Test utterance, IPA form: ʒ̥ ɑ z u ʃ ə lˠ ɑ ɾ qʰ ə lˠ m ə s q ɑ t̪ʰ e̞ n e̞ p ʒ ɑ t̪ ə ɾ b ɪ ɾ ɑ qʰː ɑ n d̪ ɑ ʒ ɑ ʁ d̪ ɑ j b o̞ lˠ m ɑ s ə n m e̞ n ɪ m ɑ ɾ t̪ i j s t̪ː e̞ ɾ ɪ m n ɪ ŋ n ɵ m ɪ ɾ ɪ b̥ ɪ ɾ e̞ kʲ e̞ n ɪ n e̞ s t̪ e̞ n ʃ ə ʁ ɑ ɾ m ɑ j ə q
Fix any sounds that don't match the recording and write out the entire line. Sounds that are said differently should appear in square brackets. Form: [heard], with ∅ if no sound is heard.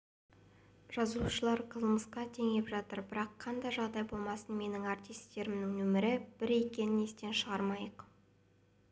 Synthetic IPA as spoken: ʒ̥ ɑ z u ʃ ə lˠ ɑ ɾ qʰ ə lˠ m ə s q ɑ t̪ʰ e̞ [ŋ] e̞ p ʒ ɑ t̪ ə ɾ b ɪ ɾ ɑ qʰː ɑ n d̪ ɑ ʒ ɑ ʁ d̪ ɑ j b o̞ lˠ m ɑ s ə n m e̞ n ɪ [ŋ] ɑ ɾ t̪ i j s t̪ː e̞ ɾ ɪ m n ɪ ŋ n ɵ m ɪ ɾ ɪ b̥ ɪ ɾ e̞ kʲ e̞ n ɪ n e̞ s t̪ e̞ n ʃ ə ʁ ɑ ɾ m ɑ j ə q